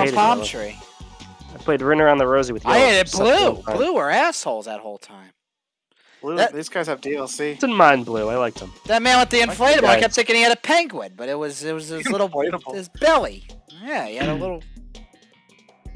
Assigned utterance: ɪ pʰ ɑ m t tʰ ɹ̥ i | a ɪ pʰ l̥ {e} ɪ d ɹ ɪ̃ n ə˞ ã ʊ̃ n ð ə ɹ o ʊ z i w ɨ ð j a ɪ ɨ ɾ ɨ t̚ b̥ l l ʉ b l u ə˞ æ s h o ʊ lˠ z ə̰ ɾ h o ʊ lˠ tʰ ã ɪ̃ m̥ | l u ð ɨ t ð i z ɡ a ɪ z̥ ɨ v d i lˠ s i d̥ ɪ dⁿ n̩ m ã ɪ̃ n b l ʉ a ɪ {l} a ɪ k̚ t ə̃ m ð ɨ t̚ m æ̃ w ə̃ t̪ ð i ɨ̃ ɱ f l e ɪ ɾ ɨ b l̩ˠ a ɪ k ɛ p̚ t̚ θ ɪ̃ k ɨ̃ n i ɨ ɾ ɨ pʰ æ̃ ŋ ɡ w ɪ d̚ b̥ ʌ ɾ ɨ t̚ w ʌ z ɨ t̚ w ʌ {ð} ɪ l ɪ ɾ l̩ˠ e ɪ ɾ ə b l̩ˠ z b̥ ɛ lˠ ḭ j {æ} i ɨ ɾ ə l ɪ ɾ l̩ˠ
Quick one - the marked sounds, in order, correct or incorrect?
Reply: correct, correct, incorrect, correct

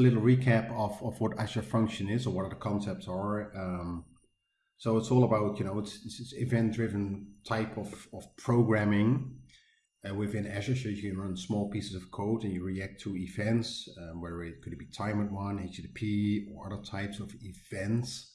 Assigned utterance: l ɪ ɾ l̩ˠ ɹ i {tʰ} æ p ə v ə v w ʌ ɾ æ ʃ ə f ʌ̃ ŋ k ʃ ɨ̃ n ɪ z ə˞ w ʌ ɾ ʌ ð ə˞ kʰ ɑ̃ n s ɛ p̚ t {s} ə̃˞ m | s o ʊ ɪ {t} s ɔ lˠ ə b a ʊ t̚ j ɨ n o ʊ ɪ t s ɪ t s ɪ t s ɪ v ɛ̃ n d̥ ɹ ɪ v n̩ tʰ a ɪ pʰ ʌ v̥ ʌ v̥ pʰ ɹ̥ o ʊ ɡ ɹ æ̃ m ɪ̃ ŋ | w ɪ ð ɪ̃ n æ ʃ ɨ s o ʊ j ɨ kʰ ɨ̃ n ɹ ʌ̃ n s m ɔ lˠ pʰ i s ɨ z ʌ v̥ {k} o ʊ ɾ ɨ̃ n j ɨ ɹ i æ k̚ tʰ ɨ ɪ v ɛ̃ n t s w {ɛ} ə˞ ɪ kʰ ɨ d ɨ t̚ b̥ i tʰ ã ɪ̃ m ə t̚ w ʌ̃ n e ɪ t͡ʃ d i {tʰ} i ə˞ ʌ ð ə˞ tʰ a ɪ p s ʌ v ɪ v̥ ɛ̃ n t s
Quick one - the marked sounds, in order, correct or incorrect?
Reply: incorrect, correct, correct, incorrect, correct, incorrect

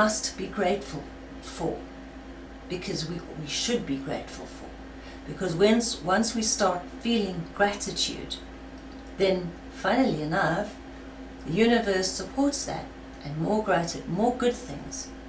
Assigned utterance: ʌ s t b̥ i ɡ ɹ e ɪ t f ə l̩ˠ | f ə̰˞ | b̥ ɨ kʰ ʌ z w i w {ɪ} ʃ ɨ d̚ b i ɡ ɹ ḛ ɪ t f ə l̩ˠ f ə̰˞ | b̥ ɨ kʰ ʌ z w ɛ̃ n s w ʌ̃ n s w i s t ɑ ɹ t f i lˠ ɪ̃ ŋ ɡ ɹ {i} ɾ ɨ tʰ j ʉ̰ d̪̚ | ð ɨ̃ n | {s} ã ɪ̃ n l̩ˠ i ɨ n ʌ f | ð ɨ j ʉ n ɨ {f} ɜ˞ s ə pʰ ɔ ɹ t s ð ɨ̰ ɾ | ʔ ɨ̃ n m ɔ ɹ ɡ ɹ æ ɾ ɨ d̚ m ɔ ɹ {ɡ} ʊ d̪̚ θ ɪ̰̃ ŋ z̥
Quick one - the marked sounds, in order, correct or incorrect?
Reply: incorrect, incorrect, incorrect, incorrect, correct

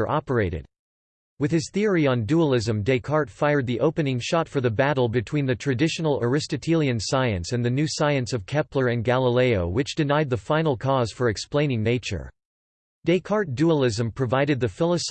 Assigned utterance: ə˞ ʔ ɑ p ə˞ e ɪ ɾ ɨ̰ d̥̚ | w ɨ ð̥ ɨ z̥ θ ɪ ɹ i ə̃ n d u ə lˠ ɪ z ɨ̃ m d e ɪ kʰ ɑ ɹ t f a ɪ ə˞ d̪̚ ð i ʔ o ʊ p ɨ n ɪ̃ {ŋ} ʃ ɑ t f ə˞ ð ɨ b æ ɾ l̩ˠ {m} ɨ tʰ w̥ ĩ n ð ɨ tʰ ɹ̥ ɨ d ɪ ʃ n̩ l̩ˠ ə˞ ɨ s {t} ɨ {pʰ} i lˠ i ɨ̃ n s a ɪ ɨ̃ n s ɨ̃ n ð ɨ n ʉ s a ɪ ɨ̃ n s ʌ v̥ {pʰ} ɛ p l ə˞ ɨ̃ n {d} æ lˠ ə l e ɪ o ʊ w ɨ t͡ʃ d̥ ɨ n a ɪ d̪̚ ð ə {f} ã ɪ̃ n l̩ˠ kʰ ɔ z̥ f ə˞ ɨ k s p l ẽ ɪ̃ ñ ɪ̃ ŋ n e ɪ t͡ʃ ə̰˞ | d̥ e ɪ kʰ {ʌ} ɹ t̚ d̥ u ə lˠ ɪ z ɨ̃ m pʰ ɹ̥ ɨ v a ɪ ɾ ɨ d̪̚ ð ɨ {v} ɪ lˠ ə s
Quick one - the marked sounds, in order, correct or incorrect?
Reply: correct, incorrect, correct, incorrect, incorrect, incorrect, correct, incorrect, incorrect

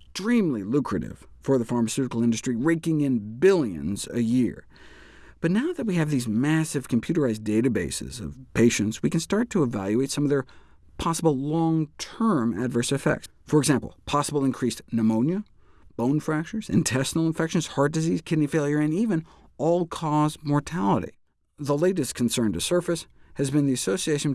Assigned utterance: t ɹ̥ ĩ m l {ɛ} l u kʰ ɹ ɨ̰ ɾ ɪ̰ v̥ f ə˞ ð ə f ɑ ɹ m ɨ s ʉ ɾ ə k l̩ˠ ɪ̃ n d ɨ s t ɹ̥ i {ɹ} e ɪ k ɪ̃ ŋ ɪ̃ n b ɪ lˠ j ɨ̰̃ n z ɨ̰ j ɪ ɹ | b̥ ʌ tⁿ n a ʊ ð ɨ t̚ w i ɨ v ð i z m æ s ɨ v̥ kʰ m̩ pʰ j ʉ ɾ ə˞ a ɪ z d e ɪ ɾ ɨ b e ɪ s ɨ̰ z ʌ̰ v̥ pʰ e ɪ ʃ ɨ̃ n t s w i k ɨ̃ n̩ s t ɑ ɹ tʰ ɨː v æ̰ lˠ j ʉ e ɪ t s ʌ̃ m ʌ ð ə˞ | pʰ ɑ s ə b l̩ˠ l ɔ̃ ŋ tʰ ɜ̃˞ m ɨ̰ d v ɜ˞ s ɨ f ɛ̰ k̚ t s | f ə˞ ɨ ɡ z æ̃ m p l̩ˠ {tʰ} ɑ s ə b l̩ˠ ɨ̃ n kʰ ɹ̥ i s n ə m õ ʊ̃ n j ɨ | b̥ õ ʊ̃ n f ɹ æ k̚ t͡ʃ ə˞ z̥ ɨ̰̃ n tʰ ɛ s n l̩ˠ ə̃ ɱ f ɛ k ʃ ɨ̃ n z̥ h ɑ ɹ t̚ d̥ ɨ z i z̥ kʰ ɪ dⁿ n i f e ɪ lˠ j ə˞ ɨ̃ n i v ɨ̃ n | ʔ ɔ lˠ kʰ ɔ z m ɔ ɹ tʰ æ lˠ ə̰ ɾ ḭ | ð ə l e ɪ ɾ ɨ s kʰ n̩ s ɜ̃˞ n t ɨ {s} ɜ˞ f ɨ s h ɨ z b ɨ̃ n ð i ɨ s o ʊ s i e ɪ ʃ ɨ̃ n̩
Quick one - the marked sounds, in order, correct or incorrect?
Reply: incorrect, correct, incorrect, correct

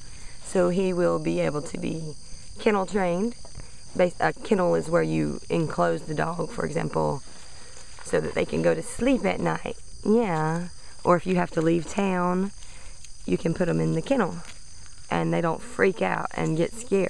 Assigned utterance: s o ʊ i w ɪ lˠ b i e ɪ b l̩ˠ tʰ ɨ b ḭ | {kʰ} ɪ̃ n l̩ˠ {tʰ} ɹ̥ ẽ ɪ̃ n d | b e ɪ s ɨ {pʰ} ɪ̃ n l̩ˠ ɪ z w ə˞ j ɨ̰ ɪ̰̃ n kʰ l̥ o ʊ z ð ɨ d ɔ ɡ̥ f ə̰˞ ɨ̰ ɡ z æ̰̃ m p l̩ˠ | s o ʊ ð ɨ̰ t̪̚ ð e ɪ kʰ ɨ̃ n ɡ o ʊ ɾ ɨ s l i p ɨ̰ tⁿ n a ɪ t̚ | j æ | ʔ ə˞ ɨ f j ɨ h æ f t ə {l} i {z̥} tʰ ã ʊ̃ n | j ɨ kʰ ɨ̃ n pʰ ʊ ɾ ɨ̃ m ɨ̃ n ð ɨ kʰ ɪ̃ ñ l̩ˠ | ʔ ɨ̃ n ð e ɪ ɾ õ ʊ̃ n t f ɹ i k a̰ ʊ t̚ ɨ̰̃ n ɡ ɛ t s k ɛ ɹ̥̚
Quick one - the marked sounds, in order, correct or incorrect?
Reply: correct, correct, incorrect, correct, incorrect

